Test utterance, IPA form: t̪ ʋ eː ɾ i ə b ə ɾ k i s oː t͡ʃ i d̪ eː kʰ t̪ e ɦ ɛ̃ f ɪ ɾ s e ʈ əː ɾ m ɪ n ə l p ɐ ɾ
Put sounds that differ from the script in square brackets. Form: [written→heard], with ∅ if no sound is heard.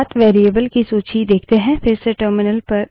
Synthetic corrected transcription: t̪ ʋ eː ɾ i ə b ə [ɾ→l] k i s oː t͡ʃ i d̪ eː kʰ t̪ e ɦ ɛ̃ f ɪ ɾ s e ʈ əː ɾ m ɪ n ə l p ɐ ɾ